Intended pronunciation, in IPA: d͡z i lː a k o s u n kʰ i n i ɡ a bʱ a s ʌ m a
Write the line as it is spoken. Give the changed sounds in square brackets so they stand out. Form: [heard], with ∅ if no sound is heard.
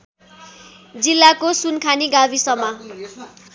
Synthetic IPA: d͡z i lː a k o s u n kʰ [a] n i ɡ a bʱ [i] s ʌ m a